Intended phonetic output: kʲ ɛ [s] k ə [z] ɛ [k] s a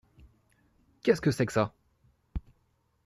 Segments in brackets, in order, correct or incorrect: correct, incorrect: s, correct

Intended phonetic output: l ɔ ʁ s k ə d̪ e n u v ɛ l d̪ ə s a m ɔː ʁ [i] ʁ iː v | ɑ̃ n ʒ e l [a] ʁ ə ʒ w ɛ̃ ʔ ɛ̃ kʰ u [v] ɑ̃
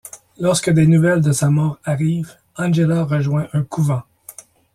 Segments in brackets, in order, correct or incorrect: incorrect: a, correct, correct

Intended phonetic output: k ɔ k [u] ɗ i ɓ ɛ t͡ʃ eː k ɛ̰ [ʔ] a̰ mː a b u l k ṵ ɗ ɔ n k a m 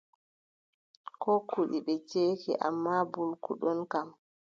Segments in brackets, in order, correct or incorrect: correct, correct

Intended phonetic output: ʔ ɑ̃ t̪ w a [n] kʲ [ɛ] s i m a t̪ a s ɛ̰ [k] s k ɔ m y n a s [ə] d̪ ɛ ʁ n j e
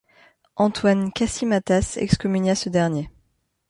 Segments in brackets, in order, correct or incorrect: correct, incorrect: a, correct, correct

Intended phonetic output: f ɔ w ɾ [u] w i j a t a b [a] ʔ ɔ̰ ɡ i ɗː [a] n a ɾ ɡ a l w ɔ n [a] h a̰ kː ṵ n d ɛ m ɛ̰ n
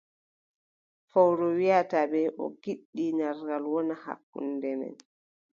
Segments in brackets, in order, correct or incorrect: incorrect: ɔ, incorrect: ɛ, incorrect: i, correct

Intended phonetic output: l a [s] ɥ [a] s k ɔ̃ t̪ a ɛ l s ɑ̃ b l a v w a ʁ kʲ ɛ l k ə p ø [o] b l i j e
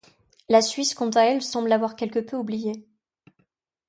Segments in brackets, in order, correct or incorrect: correct, incorrect: i, incorrect: u

